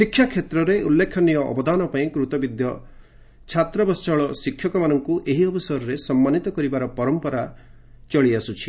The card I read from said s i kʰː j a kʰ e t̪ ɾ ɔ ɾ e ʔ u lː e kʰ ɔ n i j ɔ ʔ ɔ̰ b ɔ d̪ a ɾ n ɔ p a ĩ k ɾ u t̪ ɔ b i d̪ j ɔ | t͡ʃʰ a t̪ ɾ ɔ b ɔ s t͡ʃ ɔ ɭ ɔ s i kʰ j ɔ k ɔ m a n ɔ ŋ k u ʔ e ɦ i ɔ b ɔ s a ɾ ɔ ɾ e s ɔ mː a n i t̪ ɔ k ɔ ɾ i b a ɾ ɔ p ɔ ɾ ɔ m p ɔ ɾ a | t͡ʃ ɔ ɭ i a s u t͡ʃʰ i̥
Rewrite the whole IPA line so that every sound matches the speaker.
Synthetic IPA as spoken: s i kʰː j a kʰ e t̪ ɾ ɔ ɾ e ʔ u lː e kʰ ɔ n i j ɔ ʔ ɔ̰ b ɔ d̪ a n ɔ p a ĩ k ɾ u t̪ ɔ b i d̪ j ɔ | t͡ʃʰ a t̪ ɾ ɔ b ɔ s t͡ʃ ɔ ɭ ɔ s i kʰ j ɔ k ɔ m a n ɔ ŋ k u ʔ e ɦ i ɔ b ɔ s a ɾ ɔ ɾ e s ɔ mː a n i t̪ ɔ k ɔ ɾ i b a ɾ ɔ p ɔ ɾ ɔ m p ɔ ɾ a | t͡ʃ ɔ ɭ i a s u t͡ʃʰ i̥

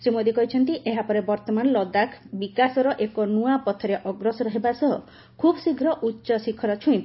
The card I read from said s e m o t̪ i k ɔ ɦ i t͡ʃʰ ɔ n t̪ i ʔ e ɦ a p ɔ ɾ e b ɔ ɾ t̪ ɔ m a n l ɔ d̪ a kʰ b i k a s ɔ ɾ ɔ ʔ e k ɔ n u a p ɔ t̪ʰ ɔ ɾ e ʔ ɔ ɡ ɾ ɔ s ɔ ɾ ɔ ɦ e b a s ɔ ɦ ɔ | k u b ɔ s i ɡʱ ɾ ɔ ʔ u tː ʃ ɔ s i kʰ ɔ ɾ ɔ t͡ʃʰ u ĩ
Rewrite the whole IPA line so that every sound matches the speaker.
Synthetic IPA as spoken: s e m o d̪ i k ɔ ɦ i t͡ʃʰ ɔ n t̪ i ʔ e ɦ a p ɔ ɾ e b ɔ ɾ t̪ ɔ m a n l ɔ d̪ a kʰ b i k a s ɔ ɾ ɔ ʔ e k ɔ n u a p ɔ t̪ʰ ɔ ɾ e ʔ ɔ ɡ ɾ ɔ s ɔ ɾ ɔ ɦ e b a s ɔ ɦ ɔ | kʰ u b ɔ s i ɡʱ ɾ ɔ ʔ u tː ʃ ɔ s i kʰ ɔ ɾ ɔ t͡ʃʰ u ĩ

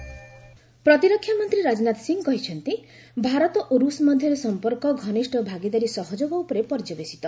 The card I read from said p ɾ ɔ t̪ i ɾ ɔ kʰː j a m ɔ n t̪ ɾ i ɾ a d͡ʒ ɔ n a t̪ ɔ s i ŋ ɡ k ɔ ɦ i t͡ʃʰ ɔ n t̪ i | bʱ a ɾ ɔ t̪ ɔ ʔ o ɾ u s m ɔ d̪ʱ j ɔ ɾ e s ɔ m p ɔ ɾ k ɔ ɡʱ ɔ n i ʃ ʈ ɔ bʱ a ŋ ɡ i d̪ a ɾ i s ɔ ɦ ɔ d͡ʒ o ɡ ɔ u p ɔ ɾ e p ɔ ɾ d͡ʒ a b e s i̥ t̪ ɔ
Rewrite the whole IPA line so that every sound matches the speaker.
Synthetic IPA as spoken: p ɾ ɔ t̪ i ɾ ɔ kʰː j a m ɔ n t̪ ɾ i ɾ a d͡ʒ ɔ n a t̪ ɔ s i ŋ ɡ k ɔ ɦ i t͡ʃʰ ɔ n t̪ i | bʱ a ɾ ɔ t̪ ɔ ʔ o ɾ u s m ɔ d̪ʱ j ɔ ɾ e s ɔ m p ɔ ɾ k ɔ ɡʱ ɔ n i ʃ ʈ ɔ bʱ a ɡ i d̪ a ɾ i s ɔ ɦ ɔ d͡ʒ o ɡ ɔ u p ɔ ɾ e p ɔ ɾ d͡ʒ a b e s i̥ t̪ ɔ

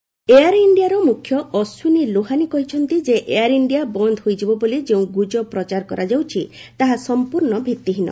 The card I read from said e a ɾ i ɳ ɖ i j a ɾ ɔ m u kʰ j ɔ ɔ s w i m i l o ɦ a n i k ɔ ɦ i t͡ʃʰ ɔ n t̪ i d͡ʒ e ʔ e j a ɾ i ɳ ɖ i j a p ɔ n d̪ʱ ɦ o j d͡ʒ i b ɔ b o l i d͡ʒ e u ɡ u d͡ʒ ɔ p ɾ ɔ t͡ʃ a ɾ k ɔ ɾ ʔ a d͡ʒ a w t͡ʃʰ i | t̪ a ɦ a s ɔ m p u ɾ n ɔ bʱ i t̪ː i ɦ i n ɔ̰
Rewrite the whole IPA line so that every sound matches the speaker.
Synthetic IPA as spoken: e a ɾ i ɳ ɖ i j a ɾ ɔ m u kʰ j ɔ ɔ s w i n i l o ɦ a n i k ɔ ɦ i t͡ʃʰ ɔ n t̪ i d͡ʒ e ʔ e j a ɾ i ɳ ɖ i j a b ɔ n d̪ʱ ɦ o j d͡ʒ i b ɔ b o l i d͡ʒ e ũ ɡ u d͡ʒ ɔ p ɾ ɔ t͡ʃ a ɾ k ɔ ɾ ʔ a d͡ʒ a w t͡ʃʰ i | t̪ a ɦ a s ɔ m p u ɾ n ɔ bʱ i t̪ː i ɦ i n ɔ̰

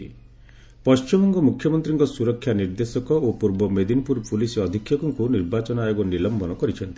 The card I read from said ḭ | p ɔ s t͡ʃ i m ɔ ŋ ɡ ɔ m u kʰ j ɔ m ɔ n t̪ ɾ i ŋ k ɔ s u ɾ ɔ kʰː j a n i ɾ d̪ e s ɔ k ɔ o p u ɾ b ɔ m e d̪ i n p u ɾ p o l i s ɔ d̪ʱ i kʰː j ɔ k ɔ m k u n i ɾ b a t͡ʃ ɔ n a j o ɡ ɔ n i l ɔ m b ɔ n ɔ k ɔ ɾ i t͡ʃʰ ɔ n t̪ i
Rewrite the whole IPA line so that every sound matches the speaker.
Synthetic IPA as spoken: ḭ | p ɔ s t͡ʃ i m ɔ ŋ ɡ ɔ m u kʰ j ɔ m ɔ n t̪ ɾ i ŋ k ɔ s u ɾ ɔ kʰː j a n i ɾ d̪ e s ɔ k ɔ o p u ɾ b ɔ m e d̪ i n p u ɾ p u l i s ɔ d̪ʱ i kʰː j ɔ k ɔ ŋ k u n i ɾ b a t͡ʃ ɔ n a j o ɡ ɔ n i l ɔ m b ɔ n ɔ k ɔ ɾ i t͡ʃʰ ɔ n t̪ i

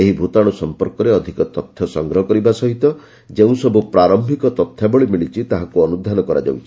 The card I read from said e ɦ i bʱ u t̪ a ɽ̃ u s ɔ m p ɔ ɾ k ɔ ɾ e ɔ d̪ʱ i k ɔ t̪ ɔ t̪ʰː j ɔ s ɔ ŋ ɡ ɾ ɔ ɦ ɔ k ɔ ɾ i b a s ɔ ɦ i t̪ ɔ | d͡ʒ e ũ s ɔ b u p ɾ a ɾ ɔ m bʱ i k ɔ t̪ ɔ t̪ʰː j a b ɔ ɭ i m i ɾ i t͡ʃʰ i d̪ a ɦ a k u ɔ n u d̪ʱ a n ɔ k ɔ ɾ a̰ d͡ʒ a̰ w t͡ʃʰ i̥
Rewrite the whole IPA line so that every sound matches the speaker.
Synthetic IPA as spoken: e ɦ i bʱ u t̪ a ɽ̃ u s ɔ m p ɔ ɾ k ɔ ɾ e ɔ d̪ʱ i k ɔ t̪ ɔ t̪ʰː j ɔ s ɔ ŋ ɡ ɾ ɔ ɦ ɔ k ɔ ɾ i b a s ɔ ɦ i t̪ ɔ | d͡ʒ e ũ s ɔ b u p ɾ a ɾ ɔ m bʱ i k ɔ t̪ ɔ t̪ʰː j a b ɔ ɭ i m i ɭ i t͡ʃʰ i t̪ a ɦ a k u ɔ n u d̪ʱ a n ɔ k ɔ ɾ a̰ d͡ʒ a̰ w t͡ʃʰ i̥

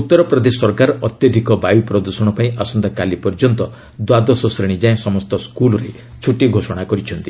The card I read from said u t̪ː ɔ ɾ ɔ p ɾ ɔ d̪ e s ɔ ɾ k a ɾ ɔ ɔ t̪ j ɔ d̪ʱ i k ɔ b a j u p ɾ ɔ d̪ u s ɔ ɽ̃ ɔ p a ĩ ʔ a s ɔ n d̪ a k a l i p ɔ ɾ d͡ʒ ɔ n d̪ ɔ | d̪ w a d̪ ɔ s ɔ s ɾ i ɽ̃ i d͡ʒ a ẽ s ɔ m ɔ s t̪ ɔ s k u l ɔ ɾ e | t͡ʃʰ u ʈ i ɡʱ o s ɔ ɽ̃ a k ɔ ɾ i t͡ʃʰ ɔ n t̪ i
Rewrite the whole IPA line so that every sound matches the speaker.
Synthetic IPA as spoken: u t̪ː ɔ ɾ ɔ p ɾ ɔ d̪ e s ɔ ɾ k a ɾ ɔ ɔ t̪ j ɔ d̪ʱ i k ɔ b a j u p ɾ ɔ d̪ u s ɔ ɽ̃ ɔ p a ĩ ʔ a s ɔ n d̪ a k a l i p ɔ ɾ d͡ʒ ɔ n t̪ ɔ | d̪ w a d̪ ɔ s ɔ s ɾ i ɽ̃ i d͡ʒ a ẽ s ɔ m ɔ s t̪ ɔ s k u l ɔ ɾ e | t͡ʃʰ u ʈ i ɡʱ o s ɔ ɽ̃ a k ɔ ɾ i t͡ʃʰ ɔ n t̪ i

